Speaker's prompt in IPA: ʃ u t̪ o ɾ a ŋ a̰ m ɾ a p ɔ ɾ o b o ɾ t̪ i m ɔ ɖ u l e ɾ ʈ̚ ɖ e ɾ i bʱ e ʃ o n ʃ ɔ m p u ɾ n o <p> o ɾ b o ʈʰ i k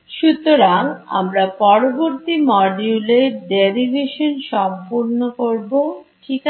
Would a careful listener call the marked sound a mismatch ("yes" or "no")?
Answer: yes